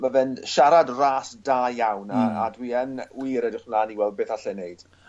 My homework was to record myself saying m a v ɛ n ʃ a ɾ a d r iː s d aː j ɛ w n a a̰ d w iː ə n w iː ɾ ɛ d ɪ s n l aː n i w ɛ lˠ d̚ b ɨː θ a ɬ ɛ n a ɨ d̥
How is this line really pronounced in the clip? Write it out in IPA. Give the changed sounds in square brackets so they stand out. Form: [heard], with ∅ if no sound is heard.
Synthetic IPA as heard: m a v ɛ n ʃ a ɾ a d r [aː] s d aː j [a] w n a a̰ d w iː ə n w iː ɾ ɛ d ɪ [χ] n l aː n i w ɛ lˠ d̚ b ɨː θ a ɬ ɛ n [e] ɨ d̥